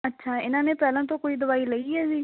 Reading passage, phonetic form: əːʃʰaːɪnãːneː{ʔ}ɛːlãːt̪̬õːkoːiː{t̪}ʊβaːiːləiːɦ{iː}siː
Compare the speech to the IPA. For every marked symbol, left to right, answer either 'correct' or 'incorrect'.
incorrect: p, incorrect: d̪, incorrect: ɛː

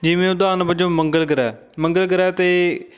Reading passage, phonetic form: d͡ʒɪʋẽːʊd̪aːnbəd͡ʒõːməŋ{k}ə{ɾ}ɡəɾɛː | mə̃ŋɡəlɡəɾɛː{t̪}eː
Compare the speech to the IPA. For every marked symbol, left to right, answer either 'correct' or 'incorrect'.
incorrect: ɡ, incorrect: l, correct

